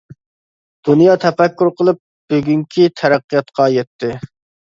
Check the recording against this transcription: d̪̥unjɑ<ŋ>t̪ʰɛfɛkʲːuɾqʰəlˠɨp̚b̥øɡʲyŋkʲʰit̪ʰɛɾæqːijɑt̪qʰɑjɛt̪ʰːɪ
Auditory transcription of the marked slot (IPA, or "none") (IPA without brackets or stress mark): none